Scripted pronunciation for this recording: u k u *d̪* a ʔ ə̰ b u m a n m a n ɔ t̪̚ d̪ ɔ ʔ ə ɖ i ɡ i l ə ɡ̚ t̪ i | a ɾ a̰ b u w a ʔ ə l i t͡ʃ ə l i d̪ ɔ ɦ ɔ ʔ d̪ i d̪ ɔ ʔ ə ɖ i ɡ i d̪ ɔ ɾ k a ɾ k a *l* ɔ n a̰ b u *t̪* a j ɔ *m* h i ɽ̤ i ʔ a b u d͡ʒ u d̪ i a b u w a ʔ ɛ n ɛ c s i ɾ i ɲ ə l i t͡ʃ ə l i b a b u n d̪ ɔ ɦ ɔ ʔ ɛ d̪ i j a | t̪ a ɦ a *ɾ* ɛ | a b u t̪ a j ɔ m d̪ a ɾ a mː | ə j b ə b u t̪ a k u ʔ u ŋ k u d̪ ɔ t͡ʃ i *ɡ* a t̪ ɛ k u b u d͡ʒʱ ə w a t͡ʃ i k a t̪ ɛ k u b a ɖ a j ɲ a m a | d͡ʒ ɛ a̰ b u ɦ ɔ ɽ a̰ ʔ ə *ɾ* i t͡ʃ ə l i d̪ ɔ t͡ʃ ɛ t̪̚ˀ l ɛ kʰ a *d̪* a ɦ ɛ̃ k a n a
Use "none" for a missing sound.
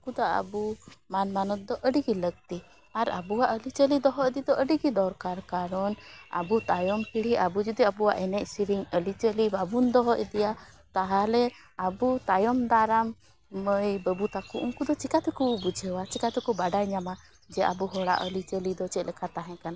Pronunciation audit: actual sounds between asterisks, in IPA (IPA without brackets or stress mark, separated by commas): d̪, ɾ, t̪, m, l, k, l, t̪